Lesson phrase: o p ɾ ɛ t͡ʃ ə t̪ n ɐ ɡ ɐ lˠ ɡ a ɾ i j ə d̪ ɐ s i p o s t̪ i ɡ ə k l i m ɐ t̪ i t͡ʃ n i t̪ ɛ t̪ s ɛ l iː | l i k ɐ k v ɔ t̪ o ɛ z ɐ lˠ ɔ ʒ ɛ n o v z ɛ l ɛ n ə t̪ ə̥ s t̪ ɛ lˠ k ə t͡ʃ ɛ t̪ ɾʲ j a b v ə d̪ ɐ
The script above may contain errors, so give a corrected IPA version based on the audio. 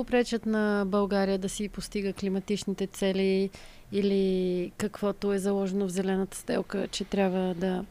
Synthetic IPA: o p ɾ ɛ t͡ʃ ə t̪ n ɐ b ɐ lˠ ɡ a ɾ i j ə d̪ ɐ s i p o s t̪ i ɡ ə k l i m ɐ t̪ i t͡ʃ n i t̪ ɛ t̪ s ɛ l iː | l i k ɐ k v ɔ t̪ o ɛ z ɐ lˠ ɔ ʒ ɛ n o v z ɛ l ɛ n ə t̪ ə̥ s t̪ ɛ lˠ k ə t͡ʃ ɛ t̪ ɾʲ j a b v ə d̪ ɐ